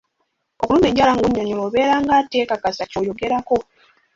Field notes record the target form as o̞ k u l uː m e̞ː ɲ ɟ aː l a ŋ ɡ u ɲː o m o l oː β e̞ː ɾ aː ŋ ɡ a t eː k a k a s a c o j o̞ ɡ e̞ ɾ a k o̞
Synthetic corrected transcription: o̞ k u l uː m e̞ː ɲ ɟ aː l a ŋ ɡ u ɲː o ɲ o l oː β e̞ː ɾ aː ŋ ɡ a t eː k a k a s a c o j o̞ ɡ e̞ ɾ a k o̞